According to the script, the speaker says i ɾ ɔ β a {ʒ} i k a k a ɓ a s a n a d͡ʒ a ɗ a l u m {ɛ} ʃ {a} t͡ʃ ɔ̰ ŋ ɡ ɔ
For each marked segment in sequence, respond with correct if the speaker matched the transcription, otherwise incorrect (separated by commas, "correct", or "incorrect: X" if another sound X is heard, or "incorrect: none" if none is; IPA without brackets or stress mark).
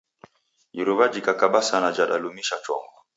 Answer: incorrect: d͡ʒ, incorrect: i, correct